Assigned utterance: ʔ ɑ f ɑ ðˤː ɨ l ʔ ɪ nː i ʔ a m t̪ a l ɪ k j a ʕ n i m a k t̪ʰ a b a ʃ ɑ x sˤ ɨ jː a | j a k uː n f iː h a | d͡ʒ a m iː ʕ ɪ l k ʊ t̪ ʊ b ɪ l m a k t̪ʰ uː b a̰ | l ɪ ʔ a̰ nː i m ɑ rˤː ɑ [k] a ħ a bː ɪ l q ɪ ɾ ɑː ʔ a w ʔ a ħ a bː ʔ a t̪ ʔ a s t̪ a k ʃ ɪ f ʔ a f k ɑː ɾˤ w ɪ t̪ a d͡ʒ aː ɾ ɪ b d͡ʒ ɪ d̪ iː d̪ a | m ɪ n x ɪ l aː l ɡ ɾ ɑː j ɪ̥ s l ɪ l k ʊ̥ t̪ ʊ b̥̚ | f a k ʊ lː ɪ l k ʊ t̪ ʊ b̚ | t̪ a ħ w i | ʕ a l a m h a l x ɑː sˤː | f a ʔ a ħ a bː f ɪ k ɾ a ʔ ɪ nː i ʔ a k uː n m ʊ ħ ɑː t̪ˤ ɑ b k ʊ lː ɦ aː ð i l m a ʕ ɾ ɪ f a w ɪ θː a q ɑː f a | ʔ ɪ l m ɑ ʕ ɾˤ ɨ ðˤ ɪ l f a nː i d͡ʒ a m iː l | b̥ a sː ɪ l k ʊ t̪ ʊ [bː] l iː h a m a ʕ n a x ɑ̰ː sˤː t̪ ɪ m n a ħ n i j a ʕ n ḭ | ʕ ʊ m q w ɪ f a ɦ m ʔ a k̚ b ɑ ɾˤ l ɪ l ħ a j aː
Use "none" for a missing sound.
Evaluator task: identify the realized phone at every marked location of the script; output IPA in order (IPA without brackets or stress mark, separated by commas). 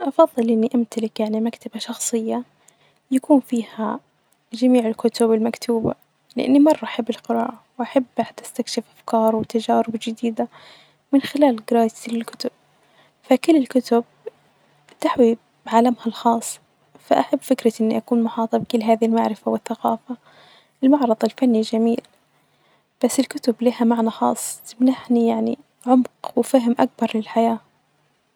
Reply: ʔ, b